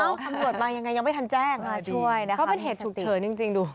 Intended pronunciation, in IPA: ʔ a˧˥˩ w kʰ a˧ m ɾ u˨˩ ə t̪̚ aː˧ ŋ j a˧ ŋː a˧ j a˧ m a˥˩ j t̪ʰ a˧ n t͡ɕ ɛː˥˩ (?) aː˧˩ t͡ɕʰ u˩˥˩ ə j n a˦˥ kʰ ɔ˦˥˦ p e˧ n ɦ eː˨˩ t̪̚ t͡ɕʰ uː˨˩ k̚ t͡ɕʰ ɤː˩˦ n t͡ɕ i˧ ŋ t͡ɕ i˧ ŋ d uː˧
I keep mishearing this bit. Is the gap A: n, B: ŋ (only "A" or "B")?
B